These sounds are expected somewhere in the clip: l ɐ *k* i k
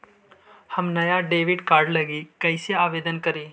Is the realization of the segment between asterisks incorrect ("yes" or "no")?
yes